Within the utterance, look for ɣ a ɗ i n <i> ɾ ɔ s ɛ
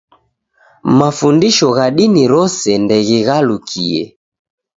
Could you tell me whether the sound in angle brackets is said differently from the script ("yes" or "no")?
no